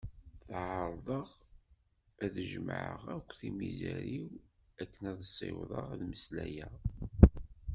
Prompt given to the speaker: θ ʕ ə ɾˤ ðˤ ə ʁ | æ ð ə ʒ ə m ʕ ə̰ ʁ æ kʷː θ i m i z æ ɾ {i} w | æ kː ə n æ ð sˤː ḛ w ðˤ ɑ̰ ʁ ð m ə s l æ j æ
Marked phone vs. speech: correct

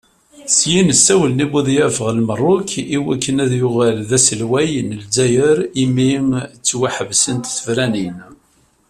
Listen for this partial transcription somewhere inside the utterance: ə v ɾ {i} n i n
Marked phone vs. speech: incorrect: æ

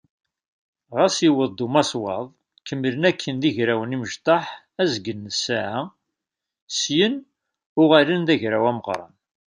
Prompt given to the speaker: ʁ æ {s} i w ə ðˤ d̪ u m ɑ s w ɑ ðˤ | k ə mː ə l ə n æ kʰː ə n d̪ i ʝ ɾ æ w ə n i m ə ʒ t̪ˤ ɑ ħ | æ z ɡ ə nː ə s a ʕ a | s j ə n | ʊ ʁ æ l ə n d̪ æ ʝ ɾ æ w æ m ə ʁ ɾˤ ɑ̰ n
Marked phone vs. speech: correct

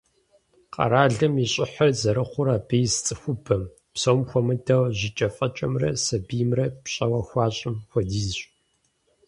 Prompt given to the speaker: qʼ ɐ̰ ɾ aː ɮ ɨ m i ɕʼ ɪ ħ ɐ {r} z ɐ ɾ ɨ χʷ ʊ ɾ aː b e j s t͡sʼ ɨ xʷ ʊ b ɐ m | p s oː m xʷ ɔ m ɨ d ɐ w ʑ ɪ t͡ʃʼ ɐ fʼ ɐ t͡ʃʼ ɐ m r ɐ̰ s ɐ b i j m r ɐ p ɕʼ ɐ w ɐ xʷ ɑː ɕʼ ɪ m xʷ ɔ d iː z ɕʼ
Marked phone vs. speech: correct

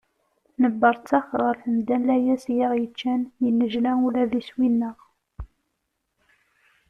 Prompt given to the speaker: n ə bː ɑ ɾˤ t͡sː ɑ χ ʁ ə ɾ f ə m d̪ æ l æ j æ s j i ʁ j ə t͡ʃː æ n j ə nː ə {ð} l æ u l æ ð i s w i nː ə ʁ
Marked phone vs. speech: incorrect: ʒ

